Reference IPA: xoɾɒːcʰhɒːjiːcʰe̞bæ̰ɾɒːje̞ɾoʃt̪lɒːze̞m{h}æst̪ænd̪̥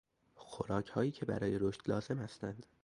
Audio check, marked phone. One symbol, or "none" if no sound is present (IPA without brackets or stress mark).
h